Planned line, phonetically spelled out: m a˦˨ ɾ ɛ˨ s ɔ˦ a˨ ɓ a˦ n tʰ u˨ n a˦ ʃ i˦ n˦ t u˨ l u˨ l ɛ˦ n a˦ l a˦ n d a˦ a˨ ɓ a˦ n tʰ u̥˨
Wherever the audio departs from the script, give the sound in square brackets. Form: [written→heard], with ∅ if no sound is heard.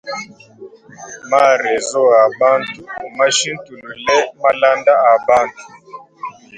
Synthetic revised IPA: m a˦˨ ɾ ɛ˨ [s→z] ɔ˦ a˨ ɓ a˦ n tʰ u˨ [n→m] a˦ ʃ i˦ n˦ t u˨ l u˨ l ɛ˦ [n→m] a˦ l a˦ n d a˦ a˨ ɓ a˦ n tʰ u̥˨